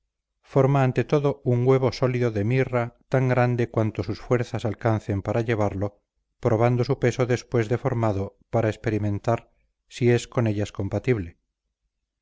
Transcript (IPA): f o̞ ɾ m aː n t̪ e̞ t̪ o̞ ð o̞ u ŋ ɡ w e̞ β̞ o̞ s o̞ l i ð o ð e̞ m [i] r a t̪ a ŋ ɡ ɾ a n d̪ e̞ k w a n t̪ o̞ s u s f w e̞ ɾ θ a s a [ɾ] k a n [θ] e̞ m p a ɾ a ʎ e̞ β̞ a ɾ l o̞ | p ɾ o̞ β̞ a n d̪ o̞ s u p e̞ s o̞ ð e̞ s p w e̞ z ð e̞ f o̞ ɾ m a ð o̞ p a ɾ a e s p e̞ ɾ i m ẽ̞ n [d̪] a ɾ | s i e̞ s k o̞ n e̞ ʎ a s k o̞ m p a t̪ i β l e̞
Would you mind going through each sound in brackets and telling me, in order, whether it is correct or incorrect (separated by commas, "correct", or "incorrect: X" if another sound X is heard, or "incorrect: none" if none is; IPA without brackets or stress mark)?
correct, incorrect: l, correct, incorrect: t̪